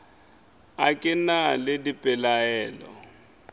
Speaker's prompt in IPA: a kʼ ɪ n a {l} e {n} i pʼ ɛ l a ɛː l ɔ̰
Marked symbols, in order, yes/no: yes, no

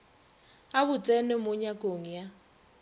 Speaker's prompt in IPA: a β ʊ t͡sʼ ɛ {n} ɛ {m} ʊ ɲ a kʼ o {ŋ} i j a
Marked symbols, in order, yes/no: yes, yes, yes

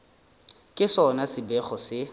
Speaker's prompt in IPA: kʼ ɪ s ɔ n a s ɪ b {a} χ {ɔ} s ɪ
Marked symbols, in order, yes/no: no, yes

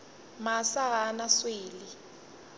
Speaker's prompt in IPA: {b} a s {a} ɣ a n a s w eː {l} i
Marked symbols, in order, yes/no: no, yes, yes

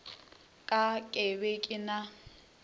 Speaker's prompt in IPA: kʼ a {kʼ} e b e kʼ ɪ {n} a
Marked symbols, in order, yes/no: yes, yes

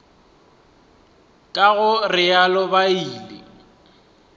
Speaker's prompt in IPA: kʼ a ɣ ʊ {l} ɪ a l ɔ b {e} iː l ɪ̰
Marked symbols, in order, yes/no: no, no

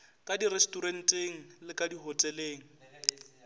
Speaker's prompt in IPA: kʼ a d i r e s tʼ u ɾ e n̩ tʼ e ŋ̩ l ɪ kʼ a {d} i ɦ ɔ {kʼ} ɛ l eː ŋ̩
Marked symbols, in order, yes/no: yes, no

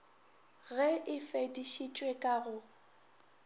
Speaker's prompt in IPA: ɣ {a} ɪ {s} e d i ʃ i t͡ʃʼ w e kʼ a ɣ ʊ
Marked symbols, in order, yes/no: no, no

